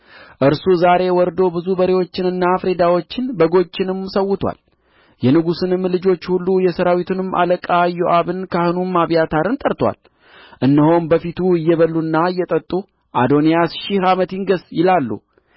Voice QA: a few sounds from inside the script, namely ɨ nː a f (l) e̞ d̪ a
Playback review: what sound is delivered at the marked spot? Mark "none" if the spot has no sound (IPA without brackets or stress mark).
ɾ